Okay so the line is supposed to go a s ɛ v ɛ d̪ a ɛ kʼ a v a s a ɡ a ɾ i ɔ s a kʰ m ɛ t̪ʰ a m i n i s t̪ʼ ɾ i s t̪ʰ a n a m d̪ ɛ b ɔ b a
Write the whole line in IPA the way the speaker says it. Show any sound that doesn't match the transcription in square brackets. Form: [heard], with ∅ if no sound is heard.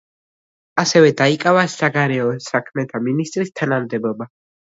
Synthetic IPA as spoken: a s ɛ v ɛ d̪ a [i] kʼ a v a s a ɡ a ɾ [ɛ] ɔ s a kʰ m ɛ t̪ʰ a m i n i s t̪ʼ ɾ i s t̪ʰ a n a m d̪ ɛ b ɔ b a